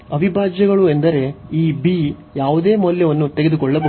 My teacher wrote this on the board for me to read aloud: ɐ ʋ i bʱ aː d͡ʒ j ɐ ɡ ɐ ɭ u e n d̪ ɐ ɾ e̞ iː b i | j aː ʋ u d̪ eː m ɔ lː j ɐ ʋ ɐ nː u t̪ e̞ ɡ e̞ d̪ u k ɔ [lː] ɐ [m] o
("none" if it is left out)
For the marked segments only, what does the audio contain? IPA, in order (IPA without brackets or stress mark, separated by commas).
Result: ɭː, b